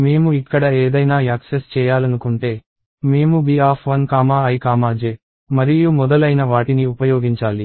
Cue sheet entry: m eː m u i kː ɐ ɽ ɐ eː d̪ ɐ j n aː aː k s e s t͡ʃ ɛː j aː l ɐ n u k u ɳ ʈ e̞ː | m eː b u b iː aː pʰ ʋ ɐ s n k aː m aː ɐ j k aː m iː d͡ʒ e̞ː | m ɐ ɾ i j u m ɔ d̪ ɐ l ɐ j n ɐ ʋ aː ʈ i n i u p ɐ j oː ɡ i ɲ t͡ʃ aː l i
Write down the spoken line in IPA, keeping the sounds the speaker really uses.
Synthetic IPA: m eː m u i kː ɐ ɽ ɐ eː d̪ ɐ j n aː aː k s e s t͡ʃ ɛː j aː l ɐ n u k u ɳ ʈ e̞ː | m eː m u b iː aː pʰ ʋ ɐ n k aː m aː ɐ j k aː m aː d͡ʒ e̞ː | m ɐ ɾ i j u m ɔ d̪ ɐ l ɐ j n ɐ ʋ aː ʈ i n i u p ɐ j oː ɡ i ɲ t͡ʃ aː l i

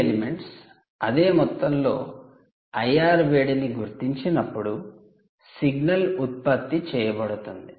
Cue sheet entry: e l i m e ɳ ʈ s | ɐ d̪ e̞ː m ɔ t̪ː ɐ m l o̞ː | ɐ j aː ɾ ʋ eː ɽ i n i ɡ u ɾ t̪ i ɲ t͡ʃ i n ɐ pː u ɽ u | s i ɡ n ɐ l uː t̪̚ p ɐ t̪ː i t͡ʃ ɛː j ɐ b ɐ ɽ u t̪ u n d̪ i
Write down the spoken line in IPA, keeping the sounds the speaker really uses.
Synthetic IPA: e l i m e ɳ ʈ s | ɐ d̪ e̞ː m ɔ t̪ː ɐ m l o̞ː | ɐ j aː ɾ ʋ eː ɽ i n i ɡ u ɾ t̪ i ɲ t͡ʃ i n ɐ pː u ɽ u | s i ɡ n ɐ l u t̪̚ p ɐ t̪ː i t͡ʃ ɛː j ɐ b ɐ ɽ u t̪ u n d̪ i

